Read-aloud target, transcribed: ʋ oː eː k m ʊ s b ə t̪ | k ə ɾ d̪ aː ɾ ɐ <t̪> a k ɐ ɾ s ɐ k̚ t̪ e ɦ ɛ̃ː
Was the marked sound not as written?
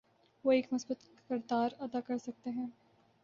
yes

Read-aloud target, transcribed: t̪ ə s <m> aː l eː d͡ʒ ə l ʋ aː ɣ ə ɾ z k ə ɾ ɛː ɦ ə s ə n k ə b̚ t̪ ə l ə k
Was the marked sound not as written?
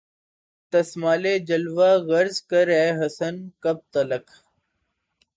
no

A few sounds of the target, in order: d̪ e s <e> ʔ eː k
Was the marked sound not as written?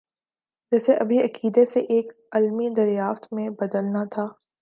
no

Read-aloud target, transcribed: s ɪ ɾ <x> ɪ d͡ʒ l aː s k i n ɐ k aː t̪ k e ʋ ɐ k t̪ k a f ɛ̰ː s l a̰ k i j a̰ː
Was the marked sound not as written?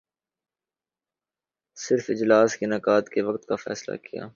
yes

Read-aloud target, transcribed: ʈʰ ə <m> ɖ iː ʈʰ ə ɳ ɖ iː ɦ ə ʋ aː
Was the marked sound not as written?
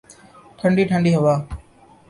yes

